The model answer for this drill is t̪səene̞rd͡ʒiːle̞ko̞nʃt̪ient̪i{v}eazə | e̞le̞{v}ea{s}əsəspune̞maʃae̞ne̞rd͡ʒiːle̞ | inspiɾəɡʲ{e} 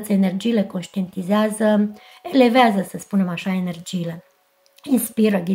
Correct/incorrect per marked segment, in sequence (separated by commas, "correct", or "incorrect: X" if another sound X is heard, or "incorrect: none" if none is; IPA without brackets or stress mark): incorrect: z, correct, incorrect: z, incorrect: i